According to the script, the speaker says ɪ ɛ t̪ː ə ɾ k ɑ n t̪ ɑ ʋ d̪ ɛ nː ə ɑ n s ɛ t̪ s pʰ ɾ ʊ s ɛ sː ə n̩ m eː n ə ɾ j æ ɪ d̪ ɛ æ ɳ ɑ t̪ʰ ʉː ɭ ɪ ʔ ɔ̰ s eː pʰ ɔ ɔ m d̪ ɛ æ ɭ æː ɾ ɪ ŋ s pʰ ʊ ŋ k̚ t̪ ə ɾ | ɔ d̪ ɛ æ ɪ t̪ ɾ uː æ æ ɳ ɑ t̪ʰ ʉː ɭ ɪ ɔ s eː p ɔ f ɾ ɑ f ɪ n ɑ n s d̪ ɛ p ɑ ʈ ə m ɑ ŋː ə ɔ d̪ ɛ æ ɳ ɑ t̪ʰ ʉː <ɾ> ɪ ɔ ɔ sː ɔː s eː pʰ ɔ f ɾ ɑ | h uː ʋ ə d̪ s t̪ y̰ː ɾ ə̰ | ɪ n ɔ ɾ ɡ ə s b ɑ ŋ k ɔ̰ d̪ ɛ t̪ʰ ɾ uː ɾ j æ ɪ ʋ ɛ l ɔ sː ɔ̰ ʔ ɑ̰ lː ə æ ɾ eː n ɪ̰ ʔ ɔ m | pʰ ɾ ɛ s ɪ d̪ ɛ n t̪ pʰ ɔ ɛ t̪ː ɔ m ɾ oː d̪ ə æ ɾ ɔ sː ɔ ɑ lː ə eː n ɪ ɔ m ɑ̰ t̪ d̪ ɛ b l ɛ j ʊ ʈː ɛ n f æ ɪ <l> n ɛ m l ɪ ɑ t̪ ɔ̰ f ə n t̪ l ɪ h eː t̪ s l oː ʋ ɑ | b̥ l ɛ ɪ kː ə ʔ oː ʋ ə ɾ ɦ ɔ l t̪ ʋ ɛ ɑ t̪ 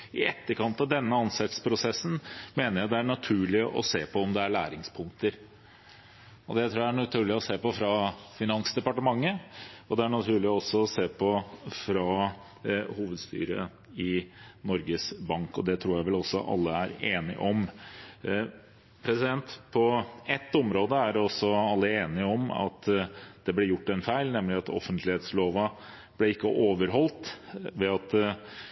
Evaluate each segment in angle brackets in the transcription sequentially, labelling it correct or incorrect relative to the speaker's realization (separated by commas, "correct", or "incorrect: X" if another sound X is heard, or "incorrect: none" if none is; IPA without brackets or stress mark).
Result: incorrect: ɭ, correct